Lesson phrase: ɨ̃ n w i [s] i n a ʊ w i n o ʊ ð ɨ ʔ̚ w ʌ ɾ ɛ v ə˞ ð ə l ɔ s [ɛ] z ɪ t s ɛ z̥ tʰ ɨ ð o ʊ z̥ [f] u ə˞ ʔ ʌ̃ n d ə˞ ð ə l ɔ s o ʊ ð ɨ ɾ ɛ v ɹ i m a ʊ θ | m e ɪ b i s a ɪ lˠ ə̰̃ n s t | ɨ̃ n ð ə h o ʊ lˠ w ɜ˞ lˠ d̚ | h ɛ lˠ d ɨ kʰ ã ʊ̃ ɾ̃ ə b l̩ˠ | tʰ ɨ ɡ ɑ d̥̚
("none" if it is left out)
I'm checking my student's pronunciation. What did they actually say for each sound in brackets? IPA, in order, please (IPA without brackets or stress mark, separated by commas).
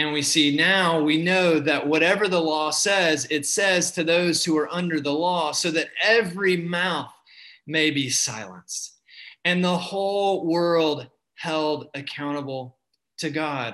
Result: s, ɛ, h